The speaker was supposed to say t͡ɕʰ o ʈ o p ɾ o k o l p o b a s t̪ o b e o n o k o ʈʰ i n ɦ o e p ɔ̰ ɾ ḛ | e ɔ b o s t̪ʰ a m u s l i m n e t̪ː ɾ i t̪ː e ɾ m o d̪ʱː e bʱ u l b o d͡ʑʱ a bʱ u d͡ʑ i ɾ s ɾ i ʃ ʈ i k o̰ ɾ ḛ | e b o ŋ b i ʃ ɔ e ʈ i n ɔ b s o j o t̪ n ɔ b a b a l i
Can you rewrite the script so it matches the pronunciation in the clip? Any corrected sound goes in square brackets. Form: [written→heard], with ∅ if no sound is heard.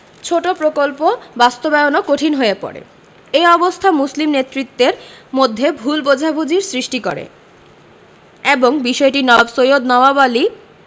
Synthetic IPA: t͡ɕʰ o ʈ o p ɾ o k o l p o b a s t̪ o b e o n o k o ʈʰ i n ɦ o e p ɔ̰ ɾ ḛ | e ɔ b o s t̪ʰ a m u s l i m n e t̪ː ɾ i t̪ː e ɾ m o d̪ʱː e bʱ u l b o d͡ʑʱ a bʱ u d͡ʑ i ɾ s ɾ i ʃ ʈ i k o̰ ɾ ḛ | e b o ŋ b i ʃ ɔ e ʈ i n ɔ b s o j o [t̪→d̪] n ɔ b a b a l i

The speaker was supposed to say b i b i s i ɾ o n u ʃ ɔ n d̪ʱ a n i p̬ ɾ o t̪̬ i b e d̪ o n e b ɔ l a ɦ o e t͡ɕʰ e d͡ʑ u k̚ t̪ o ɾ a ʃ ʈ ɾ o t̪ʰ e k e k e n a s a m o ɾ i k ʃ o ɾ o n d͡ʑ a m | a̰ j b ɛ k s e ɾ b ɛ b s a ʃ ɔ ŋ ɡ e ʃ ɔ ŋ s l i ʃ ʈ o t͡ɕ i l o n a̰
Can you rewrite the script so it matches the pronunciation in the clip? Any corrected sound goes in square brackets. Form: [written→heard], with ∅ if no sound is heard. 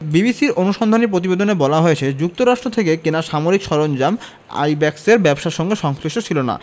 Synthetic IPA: b i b i s i ɾ o n u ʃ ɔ n d̪ʱ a n i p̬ ɾ o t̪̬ i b e d̪ o n e b ɔ l a ɦ o e t͡ɕʰ e d͡ʑ u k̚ t̪ o ɾ a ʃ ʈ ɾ o t̪ʰ e k e k e n a [s→ʃ] a m o ɾ i k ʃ [o→ɔ] ɾ o n d͡ʑ a m | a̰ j b ɛ k s e ɾ b ɛ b [s→ʃ] a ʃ ɔ ŋ ɡ e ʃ ɔ ŋ s l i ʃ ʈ o [t͡ɕ→t͡ɕʰ] i l o n a̰

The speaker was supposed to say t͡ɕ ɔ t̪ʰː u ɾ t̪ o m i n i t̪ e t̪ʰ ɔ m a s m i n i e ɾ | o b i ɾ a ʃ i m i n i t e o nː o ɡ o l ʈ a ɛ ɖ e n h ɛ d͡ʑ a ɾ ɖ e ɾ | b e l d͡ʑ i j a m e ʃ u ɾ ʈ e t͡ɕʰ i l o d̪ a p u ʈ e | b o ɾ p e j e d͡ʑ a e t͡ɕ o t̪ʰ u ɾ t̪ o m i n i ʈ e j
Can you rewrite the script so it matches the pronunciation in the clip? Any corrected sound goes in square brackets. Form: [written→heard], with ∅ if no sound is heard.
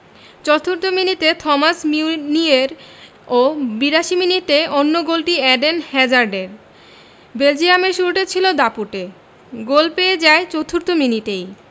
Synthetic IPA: t͡ɕ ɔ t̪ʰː u ɾ t̪ o m i n i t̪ e t̪ʰ ɔ m a s m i n i e ɾ | o b i ɾ a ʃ i m i n i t e o nː o ɡ o l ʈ [a→i] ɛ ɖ e n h ɛ d͡ʑ a ɾ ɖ e ɾ | b e l d͡ʑ i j a m e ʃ u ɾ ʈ e t͡ɕʰ i l o d̪ a p u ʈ e | [b→ɡ] o [ɾ→l] p e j e d͡ʑ a e t͡ɕ o t̪ʰ u ɾ t̪ o m i n i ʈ e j

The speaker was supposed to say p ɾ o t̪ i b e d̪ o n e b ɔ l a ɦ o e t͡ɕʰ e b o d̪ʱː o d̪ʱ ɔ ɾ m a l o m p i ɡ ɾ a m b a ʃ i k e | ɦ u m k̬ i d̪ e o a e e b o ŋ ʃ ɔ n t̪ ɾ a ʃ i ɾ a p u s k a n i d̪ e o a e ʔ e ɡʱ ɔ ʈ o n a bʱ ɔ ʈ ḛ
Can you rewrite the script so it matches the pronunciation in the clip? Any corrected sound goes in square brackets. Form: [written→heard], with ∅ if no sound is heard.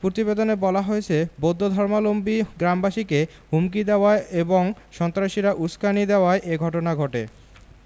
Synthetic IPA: p ɾ o t̪ i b e d̪ o n e b ɔ l a ɦ o e t͡ɕʰ e b o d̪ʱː o d̪ʱ ɔ ɾ m a l o m [p→b] i ɡ ɾ a m b a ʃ i k e | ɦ u m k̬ i d̪ e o a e e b o ŋ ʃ ɔ n t̪ ɾ a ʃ i ɾ a [p→ʔ] u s k a n i d̪ e o a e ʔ e ɡʱ ɔ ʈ o n a [bʱ→ɡʱ] ɔ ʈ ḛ

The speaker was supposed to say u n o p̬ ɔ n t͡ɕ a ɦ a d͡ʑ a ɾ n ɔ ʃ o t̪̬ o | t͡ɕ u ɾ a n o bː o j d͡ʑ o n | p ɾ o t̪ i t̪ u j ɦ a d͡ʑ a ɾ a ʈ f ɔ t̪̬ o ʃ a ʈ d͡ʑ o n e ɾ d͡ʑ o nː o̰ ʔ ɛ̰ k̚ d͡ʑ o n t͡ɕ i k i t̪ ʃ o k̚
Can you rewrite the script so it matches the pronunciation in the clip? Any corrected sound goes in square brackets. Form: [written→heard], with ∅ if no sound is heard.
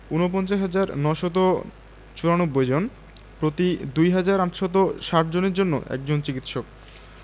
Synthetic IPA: u n o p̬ ɔ n t͡ɕ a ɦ a d͡ʑ a ɾ n ɔ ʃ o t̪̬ o | t͡ɕ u ɾ a n o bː o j d͡ʑ o n | p ɾ o t̪ i [t̪→d̪] u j ɦ a d͡ʑ a ɾ a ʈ [f→ʃ] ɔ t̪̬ o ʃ a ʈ d͡ʑ o n e ɾ d͡ʑ o nː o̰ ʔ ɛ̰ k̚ d͡ʑ o n t͡ɕ i k i t̪ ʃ o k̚

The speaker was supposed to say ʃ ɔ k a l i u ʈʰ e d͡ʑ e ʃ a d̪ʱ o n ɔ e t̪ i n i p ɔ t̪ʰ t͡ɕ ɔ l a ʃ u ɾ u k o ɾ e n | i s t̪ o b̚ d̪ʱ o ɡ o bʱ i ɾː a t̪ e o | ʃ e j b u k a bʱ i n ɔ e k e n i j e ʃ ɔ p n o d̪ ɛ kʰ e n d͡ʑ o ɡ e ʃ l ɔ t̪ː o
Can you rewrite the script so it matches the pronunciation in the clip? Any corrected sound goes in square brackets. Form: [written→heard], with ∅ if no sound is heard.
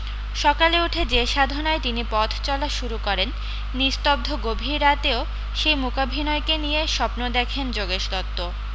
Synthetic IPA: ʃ ɔ k a l [i→e] u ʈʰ e d͡ʑ e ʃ a d̪ʱ o n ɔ e t̪ i n i p ɔ t̪ʰ t͡ɕ ɔ l a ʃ u ɾ u k [o→ɔ] ɾ e [n→nː] | i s t̪ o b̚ d̪ʱ o ɡ o bʱ i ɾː a t̪ e o | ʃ e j [b→m] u k a bʱ i n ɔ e k e n i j e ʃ ɔ p n o d̪ ɛ kʰ e n d͡ʑ o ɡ e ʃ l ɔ t̪ː o

